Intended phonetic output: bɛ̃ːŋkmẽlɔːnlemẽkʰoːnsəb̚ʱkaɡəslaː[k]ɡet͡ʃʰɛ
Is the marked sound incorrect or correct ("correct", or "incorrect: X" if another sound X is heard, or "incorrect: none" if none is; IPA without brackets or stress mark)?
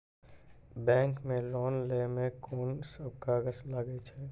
incorrect: none